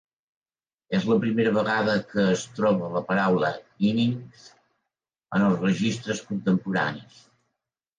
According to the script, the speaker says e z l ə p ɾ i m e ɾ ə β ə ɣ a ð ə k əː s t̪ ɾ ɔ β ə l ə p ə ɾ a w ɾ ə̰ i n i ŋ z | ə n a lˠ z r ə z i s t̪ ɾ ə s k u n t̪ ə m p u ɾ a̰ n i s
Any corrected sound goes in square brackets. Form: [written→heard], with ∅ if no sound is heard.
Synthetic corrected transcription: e z l ə p ɾ i m e ɾ ə β ə ɣ a ð ə k əː s t̪ ɾ ɔ β ə l ə p ə ɾ a w [ɾ→l] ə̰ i n i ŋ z | ə n [a→ə] lˠ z r ə [z→ʒ] i s t̪ ɾ ə s k u n t̪ ə m p u ɾ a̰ n i s